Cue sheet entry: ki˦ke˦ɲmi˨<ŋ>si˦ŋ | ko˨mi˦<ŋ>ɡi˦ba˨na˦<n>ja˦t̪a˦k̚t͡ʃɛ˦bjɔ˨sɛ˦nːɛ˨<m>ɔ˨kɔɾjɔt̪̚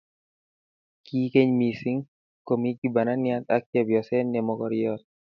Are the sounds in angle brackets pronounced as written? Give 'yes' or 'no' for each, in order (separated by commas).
no, no, yes, yes